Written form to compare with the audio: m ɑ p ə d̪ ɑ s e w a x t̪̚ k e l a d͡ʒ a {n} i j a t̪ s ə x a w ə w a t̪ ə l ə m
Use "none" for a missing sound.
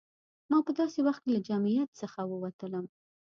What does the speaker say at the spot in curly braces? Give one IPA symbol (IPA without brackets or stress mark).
m